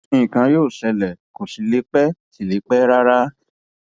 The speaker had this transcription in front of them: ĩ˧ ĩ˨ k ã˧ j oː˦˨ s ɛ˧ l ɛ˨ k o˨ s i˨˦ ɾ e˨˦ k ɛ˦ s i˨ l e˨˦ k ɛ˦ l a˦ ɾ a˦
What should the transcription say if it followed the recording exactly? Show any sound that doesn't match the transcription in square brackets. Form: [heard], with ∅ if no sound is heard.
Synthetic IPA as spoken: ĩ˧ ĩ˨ k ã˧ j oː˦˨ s ɛ˧ l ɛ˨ k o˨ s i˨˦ [l] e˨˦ [k͡p] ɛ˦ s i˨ l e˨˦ [k͡p] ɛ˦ [ɾ] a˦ ɾ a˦

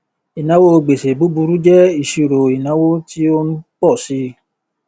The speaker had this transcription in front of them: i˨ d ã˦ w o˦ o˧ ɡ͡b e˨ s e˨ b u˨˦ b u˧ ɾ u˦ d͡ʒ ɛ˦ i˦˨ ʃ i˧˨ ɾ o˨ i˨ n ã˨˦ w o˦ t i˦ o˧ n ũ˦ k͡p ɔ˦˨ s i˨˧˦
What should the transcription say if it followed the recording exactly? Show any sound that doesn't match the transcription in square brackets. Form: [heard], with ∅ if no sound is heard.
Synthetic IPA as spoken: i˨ [n] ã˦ w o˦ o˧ ɡ͡b e˨ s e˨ b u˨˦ b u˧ ɾ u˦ d͡ʒ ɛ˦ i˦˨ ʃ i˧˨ ɾ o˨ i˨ n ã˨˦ w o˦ t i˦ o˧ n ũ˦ k͡p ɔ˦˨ s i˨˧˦

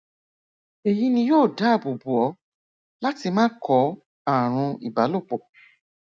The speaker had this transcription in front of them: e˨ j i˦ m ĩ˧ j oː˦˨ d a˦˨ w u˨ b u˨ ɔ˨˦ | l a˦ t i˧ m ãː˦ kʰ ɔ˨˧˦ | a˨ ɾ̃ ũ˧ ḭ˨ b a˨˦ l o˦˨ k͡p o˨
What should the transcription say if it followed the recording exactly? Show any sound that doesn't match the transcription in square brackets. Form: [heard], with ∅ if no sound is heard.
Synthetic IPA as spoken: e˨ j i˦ [n] ĩ˧ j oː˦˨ d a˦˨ [b] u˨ b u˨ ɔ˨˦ | l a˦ t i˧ m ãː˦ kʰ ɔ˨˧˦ | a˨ ɾ̃ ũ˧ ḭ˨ b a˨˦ l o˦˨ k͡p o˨

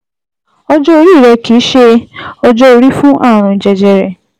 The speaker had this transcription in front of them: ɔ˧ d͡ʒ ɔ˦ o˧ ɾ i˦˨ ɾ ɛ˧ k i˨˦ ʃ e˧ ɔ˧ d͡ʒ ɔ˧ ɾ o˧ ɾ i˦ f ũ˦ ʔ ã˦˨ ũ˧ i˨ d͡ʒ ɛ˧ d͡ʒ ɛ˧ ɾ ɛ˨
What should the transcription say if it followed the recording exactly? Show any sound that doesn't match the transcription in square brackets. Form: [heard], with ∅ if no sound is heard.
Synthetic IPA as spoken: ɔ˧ d͡ʒ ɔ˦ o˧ ɾ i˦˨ ɾ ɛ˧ k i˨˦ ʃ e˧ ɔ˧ d͡ʒ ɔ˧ [∅] o˧ ɾ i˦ f ũ˦ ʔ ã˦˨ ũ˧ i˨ d͡ʒ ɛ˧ d͡ʒ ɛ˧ ɾ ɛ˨

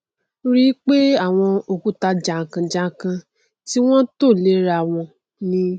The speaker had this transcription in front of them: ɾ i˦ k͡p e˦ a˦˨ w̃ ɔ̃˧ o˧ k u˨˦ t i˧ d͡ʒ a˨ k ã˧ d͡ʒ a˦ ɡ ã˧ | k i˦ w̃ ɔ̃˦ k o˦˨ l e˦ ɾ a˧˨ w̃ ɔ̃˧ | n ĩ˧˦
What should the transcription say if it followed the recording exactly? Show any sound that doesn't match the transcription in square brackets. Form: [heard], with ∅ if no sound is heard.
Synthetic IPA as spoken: ɾ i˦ k͡p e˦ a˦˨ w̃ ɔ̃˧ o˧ k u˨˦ t [a˧] d͡ʒ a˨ k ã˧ d͡ʒ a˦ [k] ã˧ | [t] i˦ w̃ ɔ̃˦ [t] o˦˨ l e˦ ɾ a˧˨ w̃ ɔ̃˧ | n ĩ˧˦

